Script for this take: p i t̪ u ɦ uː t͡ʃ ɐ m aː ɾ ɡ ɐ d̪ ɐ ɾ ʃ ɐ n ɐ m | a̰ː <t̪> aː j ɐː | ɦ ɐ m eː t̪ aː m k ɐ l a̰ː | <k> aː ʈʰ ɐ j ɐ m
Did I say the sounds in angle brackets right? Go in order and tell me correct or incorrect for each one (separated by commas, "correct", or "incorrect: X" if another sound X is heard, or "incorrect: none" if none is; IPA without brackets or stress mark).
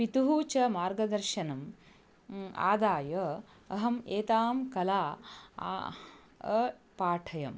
incorrect: d̪, incorrect: p